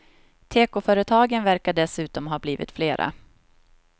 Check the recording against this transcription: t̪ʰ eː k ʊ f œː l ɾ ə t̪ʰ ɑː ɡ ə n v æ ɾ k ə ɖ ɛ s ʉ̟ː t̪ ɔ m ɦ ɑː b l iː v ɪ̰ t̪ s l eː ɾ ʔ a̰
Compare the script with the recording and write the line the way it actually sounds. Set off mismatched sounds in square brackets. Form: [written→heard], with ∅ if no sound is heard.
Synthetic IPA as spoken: t̪ʰ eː k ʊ f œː [l→∅] ɾ ə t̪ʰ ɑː ɡ ə n v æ ɾ k [ə→a] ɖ ɛ s ʉ̟ː t̪ ɔ m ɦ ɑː b l iː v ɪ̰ t̪ [s→f] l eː ɾ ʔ a̰